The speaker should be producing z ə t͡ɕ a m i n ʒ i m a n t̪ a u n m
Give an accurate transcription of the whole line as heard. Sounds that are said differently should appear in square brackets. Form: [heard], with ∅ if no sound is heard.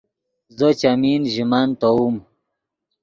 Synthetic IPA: z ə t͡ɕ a m i n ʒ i m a n t̪ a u [∅] m